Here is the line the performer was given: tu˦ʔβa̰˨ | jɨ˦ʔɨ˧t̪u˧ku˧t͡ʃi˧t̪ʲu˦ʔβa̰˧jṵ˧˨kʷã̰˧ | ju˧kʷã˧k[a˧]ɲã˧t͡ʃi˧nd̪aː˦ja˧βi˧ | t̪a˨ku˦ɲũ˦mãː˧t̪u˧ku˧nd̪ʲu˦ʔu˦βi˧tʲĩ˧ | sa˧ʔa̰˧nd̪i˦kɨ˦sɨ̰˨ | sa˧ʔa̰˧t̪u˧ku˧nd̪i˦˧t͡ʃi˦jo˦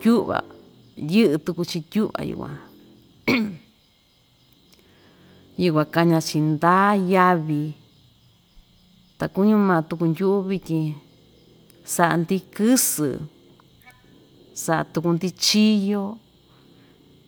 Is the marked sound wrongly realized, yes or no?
no